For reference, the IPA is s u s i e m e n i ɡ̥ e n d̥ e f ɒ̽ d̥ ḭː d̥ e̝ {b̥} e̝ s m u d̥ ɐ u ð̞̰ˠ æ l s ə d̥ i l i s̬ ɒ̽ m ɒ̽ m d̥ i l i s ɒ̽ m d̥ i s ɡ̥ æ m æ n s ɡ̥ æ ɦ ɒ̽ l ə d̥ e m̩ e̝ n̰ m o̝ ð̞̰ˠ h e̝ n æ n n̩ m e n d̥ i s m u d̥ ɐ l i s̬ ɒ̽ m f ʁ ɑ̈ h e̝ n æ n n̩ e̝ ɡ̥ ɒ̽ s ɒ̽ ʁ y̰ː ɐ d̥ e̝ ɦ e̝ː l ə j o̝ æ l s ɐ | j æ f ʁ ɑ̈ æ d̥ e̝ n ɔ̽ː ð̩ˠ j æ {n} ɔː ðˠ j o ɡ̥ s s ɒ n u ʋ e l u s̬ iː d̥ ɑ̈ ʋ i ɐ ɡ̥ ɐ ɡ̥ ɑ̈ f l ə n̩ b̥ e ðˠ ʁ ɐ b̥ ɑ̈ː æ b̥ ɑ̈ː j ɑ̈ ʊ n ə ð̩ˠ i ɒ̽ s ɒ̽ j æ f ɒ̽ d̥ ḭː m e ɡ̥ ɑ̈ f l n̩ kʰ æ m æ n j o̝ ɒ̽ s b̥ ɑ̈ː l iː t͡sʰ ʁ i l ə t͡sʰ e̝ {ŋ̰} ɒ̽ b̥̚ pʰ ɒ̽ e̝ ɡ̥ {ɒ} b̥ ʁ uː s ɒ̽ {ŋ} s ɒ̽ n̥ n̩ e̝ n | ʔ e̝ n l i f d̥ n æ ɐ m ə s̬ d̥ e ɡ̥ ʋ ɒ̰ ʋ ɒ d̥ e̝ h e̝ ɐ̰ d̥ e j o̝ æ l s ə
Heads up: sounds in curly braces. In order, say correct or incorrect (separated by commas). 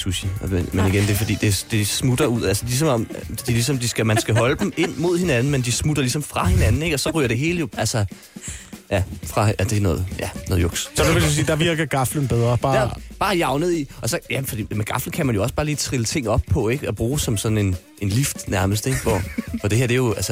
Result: incorrect, correct, correct, correct, incorrect